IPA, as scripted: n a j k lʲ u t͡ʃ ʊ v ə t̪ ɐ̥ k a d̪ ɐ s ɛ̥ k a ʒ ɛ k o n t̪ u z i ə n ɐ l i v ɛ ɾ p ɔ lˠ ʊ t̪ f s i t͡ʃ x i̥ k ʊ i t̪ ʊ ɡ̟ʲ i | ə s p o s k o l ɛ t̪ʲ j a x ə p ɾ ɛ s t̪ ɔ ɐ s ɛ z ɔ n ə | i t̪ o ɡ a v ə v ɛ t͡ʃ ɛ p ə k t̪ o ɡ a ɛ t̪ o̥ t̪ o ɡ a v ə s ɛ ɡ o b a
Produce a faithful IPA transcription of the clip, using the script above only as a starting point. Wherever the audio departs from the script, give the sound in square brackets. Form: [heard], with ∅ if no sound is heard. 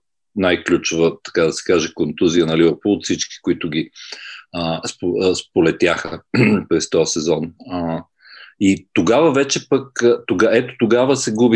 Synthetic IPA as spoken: n a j k lʲ u t͡ʃ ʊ v ə t̪ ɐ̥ k a d̪ ɐ s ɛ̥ k a ʒ ɛ k o n t̪ u z i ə n ɐ l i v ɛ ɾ p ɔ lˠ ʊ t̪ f s i t͡ʃ [k] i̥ k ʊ i t̪ ʊ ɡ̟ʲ i | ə s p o s [p] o l ɛ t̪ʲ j a x ə p ɾ ɛ s t̪ ɔ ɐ s ɛ z ɔ n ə | i t̪ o ɡ a v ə v ɛ t͡ʃ ɛ p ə k t̪ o ɡ a ɛ t̪ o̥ t̪ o ɡ a v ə s ɛ ɡ [u] b [i]